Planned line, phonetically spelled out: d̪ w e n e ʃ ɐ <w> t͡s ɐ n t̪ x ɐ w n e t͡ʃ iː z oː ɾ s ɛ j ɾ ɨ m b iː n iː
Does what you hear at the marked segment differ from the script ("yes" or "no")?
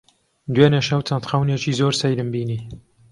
no